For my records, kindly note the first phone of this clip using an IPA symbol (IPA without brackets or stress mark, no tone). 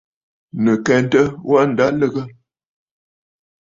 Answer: n